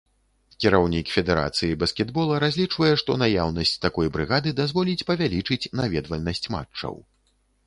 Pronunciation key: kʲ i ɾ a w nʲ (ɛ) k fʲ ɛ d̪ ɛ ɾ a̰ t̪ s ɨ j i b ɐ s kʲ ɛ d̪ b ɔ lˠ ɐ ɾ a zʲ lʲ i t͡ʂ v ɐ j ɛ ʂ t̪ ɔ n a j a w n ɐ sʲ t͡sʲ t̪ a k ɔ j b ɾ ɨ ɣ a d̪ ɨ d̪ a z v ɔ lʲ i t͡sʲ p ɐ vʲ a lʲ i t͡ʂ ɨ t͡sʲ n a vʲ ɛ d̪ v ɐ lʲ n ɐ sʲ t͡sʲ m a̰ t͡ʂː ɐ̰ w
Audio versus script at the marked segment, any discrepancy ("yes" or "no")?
yes